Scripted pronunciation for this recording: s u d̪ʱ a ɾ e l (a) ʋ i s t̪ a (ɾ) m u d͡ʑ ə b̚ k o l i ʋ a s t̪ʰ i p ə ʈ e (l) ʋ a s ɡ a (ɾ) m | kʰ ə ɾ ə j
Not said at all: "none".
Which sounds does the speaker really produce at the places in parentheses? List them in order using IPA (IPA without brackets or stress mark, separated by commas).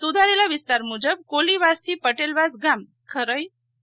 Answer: a, ɾ, l, none